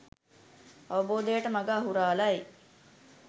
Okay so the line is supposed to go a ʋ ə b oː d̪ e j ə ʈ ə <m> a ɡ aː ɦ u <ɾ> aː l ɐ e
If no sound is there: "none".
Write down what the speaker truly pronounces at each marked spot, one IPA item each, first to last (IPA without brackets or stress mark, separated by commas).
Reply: m, ɾ